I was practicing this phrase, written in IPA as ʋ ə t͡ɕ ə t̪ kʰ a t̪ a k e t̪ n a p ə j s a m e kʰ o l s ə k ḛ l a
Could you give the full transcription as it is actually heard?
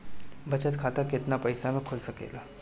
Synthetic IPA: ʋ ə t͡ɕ ə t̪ kʰ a t̪ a k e t̪ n a p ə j s a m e kʰ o l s ə k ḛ l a